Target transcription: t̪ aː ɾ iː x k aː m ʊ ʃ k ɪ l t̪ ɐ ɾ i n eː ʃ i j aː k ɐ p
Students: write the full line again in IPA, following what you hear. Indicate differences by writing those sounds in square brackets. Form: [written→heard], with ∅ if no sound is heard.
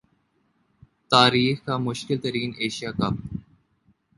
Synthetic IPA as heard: t̪ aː ɾ iː x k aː m ʊ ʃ k ɪ l t̪ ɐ ɾ [i→iː] n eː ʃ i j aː k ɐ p